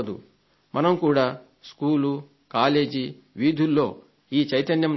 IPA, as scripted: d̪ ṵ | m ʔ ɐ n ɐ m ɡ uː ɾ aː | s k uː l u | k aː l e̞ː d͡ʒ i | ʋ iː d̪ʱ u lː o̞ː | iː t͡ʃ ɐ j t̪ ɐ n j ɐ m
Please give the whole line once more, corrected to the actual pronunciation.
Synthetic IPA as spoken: d̪ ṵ | m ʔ ɐ n ɐ m k uː ɽ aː | s k uː l u | k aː l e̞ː d͡ʒ i | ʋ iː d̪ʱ u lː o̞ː | iː t͡ʃ ɐ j t̪ ɐ n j ɐ m